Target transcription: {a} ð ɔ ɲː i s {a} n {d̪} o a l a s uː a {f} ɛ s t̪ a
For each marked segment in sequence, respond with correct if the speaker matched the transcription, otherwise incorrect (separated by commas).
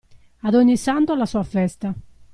correct, correct, incorrect, correct